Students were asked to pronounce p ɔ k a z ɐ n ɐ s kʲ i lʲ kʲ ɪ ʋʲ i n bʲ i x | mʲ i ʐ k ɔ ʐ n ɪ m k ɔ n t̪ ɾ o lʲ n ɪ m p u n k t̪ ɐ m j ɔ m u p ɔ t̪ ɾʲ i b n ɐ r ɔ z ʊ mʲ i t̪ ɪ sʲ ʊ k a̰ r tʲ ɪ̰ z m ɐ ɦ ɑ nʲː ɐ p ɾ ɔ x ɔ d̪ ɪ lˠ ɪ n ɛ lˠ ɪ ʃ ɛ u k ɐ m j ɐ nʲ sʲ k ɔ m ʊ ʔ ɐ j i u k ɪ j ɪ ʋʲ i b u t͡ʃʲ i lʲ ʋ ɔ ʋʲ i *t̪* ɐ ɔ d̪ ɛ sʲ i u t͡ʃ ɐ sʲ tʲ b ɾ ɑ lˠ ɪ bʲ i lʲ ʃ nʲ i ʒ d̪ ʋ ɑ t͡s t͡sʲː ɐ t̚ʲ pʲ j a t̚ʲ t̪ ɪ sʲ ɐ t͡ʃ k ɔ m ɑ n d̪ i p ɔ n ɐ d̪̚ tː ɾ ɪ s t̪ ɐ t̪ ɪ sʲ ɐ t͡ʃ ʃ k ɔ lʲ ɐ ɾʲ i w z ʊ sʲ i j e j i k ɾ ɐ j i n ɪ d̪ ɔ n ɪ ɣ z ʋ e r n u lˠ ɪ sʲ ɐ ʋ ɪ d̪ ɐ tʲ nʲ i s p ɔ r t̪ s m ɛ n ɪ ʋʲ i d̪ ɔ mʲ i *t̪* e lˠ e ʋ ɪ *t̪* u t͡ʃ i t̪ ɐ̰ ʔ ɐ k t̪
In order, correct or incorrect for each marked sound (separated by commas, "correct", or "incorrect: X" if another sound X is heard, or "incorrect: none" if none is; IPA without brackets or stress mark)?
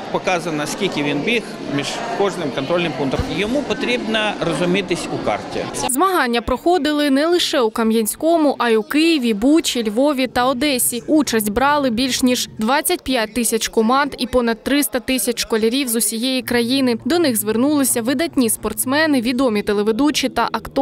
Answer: correct, correct, incorrect: d̪